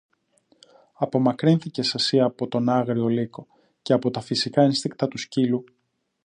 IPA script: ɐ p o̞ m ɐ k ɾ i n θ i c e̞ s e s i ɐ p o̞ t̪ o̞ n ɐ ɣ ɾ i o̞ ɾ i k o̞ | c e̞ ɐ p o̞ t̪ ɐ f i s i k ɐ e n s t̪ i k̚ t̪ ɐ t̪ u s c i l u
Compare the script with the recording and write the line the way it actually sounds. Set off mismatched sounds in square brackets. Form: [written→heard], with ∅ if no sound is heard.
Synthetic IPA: ɐ p o̞ m ɐ k ɾ i n θ i c e̞ s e s i ɐ p o̞ t̪ o̞ n ɐ ɣ ɾ i o̞ [ɾ→l] i k o̞ | c e̞ ɐ p o̞ t̪ ɐ f i s i k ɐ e n s t̪ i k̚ t̪ ɐ t̪ u s c i l u

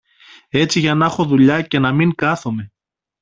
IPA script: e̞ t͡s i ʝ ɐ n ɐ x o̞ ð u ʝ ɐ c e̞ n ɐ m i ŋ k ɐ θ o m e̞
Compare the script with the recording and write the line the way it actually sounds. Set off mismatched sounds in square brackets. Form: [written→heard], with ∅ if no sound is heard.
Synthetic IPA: e̞ t͡s i ʝ ɐ n ɐ x o̞ ð u [ʝ→ʎ] ɐ c e̞ n ɐ m i ŋ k ɐ θ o m e̞

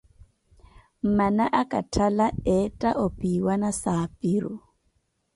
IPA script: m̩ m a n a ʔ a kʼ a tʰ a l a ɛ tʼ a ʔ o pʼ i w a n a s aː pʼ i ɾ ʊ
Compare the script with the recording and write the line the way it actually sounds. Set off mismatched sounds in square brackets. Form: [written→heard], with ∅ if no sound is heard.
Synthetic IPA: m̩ m a n a ʔ a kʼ a tʰ a l a ɛ tʼ a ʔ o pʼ i w a n a s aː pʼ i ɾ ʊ

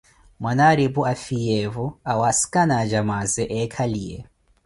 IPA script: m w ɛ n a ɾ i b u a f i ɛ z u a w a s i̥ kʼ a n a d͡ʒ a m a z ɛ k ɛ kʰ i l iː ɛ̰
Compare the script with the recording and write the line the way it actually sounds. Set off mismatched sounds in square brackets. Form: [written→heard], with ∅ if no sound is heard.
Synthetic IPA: m w [ɛ→a] n a ɾ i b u a f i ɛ [z→v] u a w a s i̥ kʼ a n a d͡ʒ a m a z ɛ [k→ʔ] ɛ kʰ [i→a] l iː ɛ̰

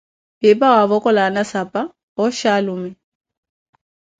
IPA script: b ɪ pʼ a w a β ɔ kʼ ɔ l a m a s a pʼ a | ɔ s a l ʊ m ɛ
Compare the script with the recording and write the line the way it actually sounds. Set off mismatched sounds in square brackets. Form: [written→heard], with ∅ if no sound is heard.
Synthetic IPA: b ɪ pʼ a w a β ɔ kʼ ɔ l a [m→n] a s a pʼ a | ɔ [s→ʃ] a l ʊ m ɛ

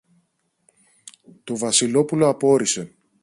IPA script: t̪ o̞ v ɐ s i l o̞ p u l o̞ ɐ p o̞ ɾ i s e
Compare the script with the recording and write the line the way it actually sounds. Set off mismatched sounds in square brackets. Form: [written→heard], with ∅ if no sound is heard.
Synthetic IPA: t̪ o̞ v ɐ s i l o̞ p u l o̞ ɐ p o̞ ɾ i s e

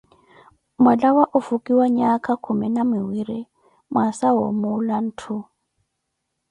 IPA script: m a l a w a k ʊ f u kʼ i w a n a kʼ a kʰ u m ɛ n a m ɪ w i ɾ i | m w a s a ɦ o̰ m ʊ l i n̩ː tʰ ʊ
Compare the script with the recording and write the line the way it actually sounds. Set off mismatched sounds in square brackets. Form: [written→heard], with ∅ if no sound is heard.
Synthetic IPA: m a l a w a [k→ʔ] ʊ f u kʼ i w a [n→ɲ] a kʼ a kʰ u m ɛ n a m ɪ w i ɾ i | m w a s a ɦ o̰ m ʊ l [i→a] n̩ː tʰ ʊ

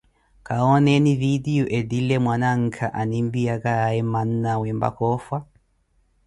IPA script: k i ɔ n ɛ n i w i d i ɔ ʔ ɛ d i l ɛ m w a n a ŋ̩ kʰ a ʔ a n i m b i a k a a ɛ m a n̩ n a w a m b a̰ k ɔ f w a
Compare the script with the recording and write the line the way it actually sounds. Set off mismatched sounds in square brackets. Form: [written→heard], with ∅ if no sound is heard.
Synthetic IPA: k [i→a] ɔ n ɛ n i [w→v] i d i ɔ ʔ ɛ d i l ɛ m w a n a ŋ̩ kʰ a ʔ a n i m b i a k a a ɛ m a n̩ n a w [a→ɛ] m b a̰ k ɔ f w a

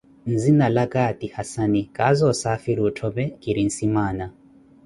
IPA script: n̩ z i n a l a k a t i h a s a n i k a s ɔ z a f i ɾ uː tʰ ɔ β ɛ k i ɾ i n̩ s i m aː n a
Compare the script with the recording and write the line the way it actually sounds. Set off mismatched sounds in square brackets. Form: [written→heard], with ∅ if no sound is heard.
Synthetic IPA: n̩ z i n a l a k a t i h a s a n i k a [s→z] ɔ [z→s] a f i ɾ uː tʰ ɔ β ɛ k i ɾ i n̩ s i m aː n a

